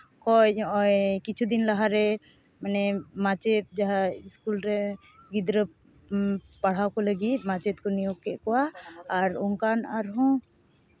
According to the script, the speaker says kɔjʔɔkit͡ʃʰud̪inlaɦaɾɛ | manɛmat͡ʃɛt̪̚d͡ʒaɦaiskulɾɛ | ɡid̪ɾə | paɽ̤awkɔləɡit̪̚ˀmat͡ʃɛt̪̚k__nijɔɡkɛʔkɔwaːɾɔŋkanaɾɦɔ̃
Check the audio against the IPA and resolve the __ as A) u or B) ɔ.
B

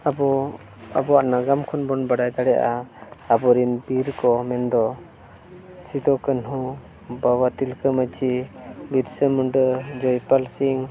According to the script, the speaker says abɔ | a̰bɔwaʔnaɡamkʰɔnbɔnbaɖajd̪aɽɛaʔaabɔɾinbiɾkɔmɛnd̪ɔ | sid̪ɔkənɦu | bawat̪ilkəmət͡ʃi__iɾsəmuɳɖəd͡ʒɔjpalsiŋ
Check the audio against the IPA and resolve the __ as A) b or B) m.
A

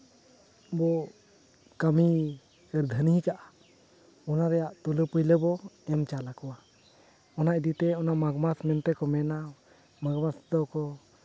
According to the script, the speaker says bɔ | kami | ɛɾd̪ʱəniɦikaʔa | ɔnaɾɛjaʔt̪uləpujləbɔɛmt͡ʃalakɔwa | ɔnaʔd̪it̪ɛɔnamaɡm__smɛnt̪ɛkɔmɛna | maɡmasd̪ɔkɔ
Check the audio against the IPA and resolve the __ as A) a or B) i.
A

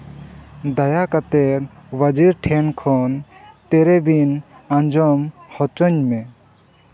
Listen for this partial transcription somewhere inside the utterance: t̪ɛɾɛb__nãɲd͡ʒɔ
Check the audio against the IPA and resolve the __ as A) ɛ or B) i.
B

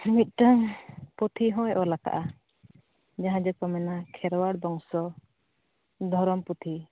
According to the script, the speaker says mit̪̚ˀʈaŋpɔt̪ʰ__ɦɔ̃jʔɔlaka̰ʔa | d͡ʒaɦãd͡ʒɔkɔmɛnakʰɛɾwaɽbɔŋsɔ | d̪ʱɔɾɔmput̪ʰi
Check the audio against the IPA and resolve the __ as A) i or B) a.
A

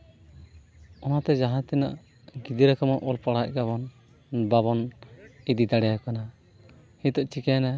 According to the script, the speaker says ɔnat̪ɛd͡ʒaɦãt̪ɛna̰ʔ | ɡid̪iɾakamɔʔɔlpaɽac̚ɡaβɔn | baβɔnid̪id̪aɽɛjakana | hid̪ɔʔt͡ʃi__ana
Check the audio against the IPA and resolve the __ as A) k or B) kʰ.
A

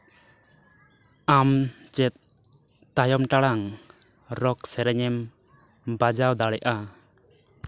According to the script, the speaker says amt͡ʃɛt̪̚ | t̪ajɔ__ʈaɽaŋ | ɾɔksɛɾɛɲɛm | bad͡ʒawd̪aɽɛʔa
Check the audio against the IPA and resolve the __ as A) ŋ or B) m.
B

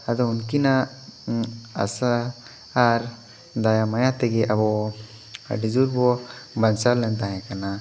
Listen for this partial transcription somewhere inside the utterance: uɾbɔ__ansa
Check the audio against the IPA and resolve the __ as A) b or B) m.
A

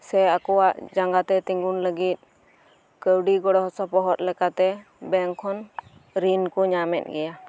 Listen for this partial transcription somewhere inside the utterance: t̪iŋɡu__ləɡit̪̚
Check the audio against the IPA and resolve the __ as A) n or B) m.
A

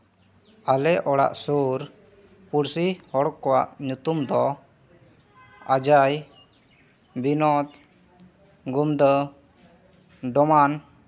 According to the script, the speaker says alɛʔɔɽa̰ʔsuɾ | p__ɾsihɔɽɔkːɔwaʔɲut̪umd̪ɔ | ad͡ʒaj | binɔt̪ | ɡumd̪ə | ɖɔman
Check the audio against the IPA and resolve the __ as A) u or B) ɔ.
A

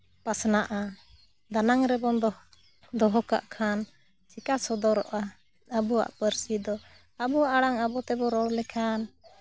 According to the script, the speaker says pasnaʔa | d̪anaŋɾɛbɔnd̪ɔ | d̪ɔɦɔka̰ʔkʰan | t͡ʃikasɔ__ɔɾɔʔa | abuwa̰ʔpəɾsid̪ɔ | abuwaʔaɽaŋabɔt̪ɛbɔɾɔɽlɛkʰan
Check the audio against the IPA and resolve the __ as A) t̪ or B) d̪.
B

